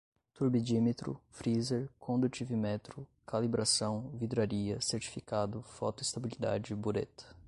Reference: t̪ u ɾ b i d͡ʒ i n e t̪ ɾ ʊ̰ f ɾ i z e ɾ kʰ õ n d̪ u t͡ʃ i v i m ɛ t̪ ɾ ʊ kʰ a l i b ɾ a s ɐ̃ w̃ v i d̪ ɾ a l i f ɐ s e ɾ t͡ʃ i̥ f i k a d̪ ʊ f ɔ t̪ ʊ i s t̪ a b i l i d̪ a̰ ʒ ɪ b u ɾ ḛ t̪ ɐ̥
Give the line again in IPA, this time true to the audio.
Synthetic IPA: t̪ u ɾ b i d͡ʒ i m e t̪ ɾ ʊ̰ f ɾ i z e ɾ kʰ õ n d̪ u t͡ʃ i v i m ɛ t̪ ɾ ʊ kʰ a l i b ɾ a s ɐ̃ w̃ v i d̪ ɾ a ɾ i ɐ s e ɾ t͡ʃ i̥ f i k a d̪ ʊ f ɔ t̪ ʊ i s t̪ a b i l i d̪ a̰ d͡ʒ ɪ b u ɾ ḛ t̪ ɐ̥